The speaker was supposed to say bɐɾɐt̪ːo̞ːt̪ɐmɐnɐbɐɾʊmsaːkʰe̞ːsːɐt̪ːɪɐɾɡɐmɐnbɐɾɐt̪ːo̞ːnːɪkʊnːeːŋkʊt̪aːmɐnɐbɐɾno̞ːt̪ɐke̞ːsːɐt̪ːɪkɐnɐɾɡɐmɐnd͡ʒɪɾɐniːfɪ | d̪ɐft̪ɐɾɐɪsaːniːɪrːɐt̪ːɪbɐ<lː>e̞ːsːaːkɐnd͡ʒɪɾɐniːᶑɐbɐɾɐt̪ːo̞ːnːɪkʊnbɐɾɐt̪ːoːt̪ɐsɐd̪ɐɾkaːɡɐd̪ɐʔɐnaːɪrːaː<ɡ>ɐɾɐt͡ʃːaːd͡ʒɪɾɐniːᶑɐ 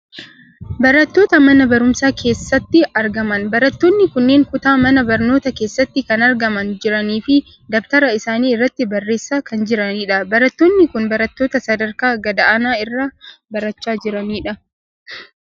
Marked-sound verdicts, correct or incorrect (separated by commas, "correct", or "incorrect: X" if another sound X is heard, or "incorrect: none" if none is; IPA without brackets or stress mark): incorrect: rː, incorrect: b